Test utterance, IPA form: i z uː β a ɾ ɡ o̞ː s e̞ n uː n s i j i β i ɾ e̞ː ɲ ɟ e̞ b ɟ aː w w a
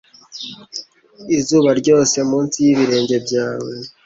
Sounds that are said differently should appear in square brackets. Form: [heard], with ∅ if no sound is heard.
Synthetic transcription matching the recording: i z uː β a ɾ [ɟ] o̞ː s e̞ [m] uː n s i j i β i ɾ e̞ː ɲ ɟ e̞ b ɟ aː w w [e]